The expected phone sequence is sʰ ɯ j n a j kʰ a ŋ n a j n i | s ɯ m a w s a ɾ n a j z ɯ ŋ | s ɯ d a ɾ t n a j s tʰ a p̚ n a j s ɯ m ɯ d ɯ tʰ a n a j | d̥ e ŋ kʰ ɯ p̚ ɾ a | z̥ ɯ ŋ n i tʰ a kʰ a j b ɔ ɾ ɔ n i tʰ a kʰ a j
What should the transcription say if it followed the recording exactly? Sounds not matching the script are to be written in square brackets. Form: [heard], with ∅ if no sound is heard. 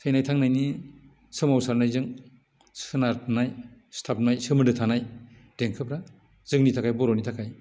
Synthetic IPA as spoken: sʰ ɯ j n a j [tʰ] a ŋ n a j n i | s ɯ m a w s a ɾ n a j z ɯ ŋ | s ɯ [n] a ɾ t n a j s tʰ a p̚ n a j s ɯ m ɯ d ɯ tʰ a n a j | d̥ e ŋ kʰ ɯ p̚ ɾ a | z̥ ɯ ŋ n i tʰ a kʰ a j b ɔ ɾ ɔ n i tʰ a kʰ a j